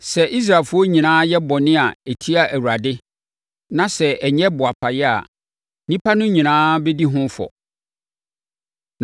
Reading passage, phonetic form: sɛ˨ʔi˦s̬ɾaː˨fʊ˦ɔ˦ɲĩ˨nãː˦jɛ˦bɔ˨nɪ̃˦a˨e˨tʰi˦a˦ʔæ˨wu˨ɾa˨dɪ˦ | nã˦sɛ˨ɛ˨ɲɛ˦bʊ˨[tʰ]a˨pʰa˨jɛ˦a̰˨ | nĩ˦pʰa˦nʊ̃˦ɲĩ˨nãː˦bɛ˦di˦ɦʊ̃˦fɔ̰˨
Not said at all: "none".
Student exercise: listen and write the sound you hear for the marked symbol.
none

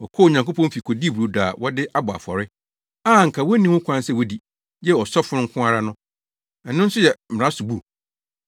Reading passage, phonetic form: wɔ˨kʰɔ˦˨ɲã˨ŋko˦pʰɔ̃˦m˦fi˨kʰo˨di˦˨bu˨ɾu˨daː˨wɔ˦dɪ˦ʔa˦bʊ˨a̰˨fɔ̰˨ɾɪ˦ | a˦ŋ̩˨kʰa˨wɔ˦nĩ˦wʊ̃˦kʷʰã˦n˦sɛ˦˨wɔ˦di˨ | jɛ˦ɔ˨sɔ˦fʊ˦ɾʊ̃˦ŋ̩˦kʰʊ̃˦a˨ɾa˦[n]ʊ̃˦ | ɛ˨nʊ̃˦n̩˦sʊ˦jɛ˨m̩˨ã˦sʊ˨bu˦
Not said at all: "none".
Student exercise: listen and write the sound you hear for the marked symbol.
n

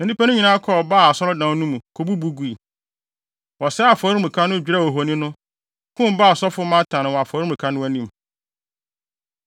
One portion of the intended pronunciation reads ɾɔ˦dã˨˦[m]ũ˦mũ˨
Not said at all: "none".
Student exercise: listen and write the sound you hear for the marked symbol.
n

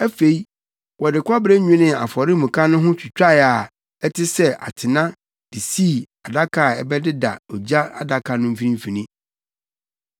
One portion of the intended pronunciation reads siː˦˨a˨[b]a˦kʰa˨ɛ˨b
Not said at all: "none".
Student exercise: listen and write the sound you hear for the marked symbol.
d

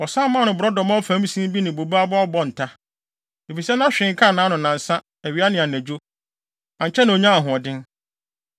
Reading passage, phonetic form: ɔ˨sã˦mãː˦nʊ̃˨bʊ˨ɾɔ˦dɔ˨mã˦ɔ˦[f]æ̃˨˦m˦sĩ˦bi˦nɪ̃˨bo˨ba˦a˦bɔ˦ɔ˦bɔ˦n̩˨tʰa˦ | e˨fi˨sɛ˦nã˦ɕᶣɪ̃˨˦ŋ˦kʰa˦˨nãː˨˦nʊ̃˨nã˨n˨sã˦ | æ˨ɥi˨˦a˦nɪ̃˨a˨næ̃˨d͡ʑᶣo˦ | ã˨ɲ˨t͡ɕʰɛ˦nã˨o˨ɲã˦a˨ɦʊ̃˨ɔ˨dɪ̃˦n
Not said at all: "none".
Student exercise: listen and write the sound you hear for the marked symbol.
f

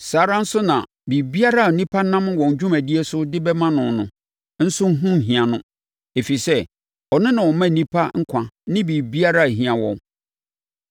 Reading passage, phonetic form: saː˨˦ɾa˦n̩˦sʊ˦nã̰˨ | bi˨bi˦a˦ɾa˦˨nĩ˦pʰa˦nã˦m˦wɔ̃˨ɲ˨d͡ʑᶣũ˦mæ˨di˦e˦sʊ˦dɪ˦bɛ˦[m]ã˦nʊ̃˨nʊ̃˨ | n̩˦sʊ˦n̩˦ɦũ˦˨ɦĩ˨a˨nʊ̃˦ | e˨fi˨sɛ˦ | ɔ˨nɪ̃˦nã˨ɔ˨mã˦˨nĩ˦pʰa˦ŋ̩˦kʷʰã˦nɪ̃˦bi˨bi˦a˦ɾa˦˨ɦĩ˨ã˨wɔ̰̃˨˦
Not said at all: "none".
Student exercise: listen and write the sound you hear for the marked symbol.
m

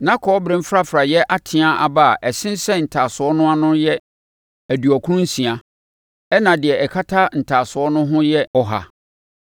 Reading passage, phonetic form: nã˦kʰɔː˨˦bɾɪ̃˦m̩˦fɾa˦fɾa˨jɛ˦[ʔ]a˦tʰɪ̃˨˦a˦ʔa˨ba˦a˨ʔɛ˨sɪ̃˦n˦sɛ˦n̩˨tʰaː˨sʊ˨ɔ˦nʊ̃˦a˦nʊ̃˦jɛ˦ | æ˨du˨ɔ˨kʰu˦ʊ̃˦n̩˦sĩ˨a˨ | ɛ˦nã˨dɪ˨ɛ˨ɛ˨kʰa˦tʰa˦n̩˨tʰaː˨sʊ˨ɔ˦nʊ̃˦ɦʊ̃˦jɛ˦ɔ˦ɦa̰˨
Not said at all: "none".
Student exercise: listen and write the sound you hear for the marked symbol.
ʔ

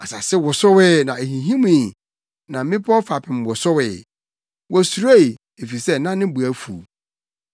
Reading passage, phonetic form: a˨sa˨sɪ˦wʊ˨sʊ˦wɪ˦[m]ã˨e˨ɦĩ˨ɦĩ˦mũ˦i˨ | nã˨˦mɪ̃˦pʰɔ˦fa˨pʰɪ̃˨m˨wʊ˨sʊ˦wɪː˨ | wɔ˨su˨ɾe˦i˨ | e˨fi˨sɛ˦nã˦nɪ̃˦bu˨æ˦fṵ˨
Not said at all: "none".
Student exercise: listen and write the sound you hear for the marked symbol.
n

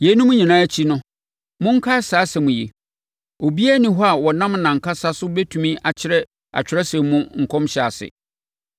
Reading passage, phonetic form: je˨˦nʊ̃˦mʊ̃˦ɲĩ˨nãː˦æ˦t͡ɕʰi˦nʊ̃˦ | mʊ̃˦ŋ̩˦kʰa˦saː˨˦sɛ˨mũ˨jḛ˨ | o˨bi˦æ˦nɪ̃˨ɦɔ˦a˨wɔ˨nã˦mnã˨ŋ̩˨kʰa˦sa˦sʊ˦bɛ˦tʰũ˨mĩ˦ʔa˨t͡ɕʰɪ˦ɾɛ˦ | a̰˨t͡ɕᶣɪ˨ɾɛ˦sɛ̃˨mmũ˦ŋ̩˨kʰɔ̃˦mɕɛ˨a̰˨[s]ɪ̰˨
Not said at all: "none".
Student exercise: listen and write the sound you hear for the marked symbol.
s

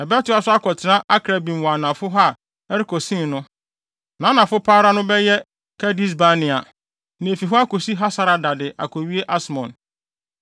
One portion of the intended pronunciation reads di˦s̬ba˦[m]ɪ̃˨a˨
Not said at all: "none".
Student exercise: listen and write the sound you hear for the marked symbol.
n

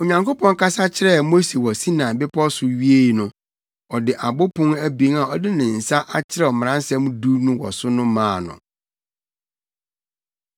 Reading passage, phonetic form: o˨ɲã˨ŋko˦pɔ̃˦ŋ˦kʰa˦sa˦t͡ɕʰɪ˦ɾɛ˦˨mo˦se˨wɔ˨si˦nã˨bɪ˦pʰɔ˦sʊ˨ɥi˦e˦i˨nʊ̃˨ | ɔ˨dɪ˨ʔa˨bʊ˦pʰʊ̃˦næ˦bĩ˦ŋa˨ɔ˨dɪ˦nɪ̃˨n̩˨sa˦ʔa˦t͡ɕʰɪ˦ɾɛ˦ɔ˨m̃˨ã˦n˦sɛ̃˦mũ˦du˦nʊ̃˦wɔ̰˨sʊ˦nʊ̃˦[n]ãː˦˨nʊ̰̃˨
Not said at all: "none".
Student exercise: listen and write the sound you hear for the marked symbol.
m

